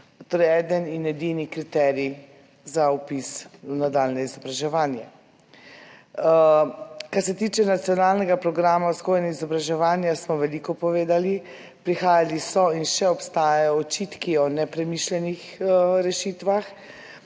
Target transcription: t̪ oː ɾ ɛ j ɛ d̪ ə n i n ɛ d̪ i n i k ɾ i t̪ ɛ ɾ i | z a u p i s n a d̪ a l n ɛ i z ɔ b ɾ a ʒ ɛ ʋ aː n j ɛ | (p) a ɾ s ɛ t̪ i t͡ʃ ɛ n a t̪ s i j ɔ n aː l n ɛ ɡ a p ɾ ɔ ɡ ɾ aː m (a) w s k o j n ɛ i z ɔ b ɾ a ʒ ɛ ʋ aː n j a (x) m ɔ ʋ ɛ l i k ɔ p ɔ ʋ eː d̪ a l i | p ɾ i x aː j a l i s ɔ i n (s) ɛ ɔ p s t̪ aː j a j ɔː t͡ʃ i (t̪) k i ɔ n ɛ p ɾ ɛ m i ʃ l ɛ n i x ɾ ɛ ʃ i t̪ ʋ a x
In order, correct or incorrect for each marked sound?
incorrect: k, correct, incorrect: s, incorrect: ʃ, correct

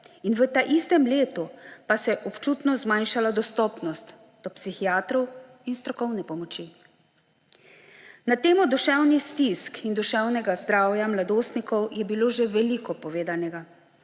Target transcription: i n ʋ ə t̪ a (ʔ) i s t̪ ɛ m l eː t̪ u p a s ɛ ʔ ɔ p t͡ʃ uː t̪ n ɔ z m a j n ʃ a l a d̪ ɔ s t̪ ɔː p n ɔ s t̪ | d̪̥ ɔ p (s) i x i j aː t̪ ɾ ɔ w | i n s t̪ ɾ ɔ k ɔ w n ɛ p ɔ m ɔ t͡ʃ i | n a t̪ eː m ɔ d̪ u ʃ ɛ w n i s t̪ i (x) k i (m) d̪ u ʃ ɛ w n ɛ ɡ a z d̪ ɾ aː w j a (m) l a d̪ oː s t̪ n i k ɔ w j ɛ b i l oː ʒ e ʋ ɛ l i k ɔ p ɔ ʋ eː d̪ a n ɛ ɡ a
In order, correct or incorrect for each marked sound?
correct, correct, incorrect: s, incorrect: n, correct

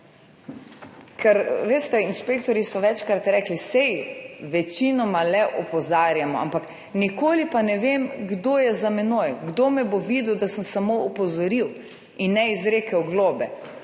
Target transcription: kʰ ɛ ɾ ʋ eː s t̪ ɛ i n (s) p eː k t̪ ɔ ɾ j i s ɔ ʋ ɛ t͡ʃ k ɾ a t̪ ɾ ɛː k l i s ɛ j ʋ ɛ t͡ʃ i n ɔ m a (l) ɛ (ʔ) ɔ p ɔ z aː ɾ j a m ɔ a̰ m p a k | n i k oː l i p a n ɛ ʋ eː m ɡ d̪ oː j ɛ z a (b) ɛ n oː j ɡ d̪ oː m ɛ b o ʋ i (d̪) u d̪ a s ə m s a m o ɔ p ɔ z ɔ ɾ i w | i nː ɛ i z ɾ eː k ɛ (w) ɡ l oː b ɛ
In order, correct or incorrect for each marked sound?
incorrect: ʃ, correct, correct, incorrect: m, correct, correct

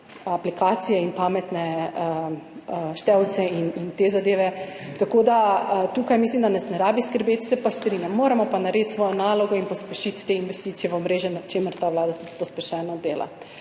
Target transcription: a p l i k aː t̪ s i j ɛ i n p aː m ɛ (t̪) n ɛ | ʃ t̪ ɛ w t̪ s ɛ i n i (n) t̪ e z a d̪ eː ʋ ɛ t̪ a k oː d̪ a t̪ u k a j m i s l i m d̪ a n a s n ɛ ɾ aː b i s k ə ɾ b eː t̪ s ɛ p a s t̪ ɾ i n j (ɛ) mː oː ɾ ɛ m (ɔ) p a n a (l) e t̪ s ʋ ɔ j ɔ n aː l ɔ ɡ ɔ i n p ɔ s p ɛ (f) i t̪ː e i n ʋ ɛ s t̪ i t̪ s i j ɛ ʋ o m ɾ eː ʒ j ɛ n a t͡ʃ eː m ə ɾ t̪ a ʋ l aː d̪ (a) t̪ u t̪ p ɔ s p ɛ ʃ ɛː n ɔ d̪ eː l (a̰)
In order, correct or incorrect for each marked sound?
correct, correct, incorrect: a, correct, incorrect: ɾ, incorrect: ʃ, correct, correct

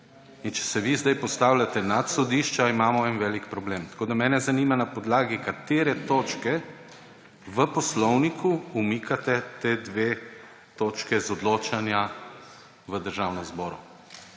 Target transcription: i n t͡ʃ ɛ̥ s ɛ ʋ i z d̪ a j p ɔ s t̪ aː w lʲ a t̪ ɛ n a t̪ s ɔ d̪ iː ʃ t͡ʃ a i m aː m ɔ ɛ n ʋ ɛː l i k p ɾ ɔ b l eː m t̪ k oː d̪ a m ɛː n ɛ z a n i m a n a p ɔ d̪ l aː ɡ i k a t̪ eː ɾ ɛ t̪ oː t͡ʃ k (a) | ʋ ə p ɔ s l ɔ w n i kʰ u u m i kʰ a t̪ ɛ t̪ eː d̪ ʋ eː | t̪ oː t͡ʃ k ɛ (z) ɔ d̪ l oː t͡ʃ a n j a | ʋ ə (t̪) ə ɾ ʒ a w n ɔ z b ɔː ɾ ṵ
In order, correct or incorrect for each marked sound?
incorrect: ɛ, correct, incorrect: d̪

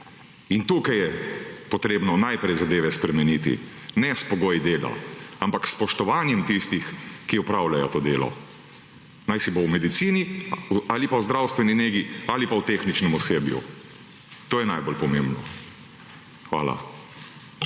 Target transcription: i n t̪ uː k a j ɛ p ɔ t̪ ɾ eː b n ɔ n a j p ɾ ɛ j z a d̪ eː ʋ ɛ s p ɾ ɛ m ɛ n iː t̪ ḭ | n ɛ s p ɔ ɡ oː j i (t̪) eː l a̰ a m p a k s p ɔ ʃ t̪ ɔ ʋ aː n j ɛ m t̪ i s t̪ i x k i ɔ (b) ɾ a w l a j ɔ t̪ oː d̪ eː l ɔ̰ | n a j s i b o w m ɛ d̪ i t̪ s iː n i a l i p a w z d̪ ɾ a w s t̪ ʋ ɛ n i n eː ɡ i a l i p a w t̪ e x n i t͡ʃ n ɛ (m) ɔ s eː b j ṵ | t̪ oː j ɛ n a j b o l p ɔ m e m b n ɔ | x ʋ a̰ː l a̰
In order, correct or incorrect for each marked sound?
incorrect: d̪, incorrect: p, correct

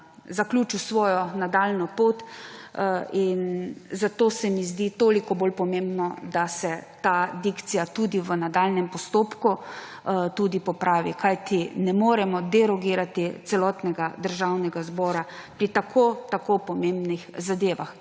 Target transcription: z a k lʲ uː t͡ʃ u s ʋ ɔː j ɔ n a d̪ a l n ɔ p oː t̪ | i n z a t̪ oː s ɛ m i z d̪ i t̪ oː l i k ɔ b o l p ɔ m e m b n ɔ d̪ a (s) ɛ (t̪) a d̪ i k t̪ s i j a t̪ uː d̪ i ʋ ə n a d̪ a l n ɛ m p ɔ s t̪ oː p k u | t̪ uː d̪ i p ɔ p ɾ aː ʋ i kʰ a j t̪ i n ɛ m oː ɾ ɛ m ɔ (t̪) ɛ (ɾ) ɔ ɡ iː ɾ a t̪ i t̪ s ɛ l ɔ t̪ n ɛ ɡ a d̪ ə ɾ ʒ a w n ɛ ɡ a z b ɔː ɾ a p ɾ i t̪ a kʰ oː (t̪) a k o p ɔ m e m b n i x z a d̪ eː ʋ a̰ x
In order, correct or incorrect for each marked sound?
correct, correct, incorrect: d̪, correct, correct

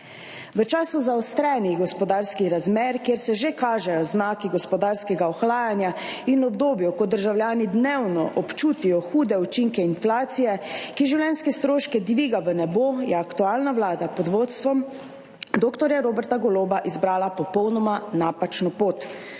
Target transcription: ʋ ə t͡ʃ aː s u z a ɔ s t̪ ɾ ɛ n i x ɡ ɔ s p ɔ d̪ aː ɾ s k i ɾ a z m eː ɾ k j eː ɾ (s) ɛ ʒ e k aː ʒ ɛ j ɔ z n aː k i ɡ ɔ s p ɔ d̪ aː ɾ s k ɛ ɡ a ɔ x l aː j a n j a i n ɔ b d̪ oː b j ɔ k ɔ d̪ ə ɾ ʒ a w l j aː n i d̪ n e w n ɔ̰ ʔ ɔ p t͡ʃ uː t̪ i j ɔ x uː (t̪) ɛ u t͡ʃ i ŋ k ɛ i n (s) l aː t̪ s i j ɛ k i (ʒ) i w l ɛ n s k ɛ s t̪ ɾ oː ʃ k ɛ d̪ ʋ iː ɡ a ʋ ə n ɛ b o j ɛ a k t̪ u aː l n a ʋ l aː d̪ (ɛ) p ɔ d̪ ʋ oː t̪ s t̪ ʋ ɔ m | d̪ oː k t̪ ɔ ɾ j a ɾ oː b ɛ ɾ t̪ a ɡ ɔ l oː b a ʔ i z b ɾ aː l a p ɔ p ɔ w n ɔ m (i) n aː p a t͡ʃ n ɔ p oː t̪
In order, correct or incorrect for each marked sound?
correct, incorrect: d̪, incorrect: f, correct, incorrect: a, incorrect: a

